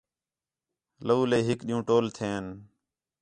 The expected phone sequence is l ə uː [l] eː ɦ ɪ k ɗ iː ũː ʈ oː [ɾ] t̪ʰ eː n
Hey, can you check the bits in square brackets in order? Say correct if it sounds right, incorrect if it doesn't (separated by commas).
correct, incorrect